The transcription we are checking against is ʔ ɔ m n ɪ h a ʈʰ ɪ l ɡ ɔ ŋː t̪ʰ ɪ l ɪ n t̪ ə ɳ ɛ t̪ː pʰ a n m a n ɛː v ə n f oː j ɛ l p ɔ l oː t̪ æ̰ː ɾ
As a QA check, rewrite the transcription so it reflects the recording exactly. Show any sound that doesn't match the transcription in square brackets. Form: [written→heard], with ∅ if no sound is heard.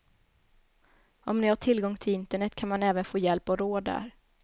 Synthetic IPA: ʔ ɔ m n ɪ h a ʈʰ ɪ l ɡ ɔ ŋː t̪ʰ ɪ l ɪ n t̪ ə ɳ ɛ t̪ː [pʰ→kʰ] a n m a n ɛː v ə n f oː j ɛ l p ɔ [l→ɾ] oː [t̪→d̪] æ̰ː ɾ